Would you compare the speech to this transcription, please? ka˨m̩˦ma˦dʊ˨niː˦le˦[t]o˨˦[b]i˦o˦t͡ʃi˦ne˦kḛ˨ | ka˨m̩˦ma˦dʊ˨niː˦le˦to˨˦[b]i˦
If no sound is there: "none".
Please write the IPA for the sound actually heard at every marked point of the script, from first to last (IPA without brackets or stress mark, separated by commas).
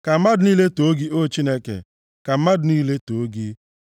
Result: t, ɡ, ɡ